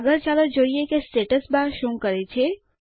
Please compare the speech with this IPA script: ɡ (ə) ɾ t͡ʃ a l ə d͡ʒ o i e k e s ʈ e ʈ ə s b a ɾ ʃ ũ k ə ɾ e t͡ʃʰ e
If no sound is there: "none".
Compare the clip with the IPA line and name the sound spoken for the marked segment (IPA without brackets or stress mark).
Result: ə